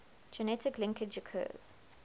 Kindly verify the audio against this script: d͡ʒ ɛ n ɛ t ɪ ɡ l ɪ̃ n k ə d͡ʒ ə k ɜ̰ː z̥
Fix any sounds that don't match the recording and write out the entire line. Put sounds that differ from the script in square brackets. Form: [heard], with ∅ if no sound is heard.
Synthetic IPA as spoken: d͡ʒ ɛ n ɛ t ɪ [k] l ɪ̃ [ŋ] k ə d͡ʒ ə [kʰ] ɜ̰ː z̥